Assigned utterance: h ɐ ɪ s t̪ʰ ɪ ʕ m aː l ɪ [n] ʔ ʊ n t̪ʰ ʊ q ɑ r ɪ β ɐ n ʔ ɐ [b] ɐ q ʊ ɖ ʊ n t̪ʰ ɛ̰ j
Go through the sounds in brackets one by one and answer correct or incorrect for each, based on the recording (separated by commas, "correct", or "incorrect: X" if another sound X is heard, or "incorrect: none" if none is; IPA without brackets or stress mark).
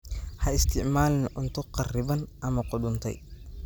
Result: correct, incorrect: m